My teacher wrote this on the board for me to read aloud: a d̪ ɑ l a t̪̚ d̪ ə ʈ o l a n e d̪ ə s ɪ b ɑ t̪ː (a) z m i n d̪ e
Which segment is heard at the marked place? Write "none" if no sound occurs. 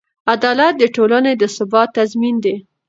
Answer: a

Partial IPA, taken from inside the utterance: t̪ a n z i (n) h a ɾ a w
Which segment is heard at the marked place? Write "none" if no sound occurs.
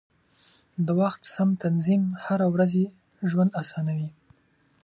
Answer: m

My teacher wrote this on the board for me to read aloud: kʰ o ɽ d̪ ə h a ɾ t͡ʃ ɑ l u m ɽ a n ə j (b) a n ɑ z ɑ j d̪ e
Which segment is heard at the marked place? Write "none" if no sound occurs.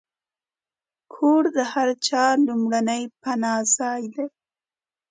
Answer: p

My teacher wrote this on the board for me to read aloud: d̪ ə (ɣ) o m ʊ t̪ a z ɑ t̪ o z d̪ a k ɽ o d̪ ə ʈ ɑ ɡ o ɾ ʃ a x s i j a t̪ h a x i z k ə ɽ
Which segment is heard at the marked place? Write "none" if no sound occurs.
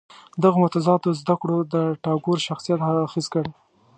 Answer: ɣ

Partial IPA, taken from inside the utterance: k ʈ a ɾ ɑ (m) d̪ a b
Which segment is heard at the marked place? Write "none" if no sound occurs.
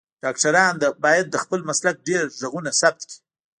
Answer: n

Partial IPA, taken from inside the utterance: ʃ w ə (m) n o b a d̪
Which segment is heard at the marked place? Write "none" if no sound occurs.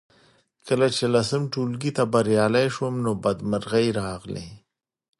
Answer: m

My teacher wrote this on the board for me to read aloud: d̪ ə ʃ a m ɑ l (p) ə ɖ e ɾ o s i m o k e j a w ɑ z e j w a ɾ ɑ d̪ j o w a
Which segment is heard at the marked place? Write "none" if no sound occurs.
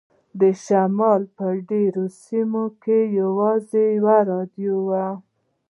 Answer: p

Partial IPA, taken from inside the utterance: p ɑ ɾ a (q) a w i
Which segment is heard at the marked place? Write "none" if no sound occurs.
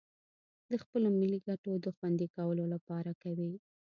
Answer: k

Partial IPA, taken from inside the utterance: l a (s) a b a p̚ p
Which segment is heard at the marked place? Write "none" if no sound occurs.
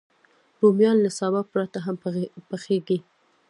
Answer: s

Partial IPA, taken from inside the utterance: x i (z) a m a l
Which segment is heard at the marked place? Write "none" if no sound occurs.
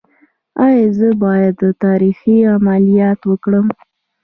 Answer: none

